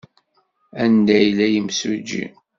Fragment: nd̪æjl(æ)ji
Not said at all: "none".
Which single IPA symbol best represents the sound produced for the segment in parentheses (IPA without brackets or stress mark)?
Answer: æ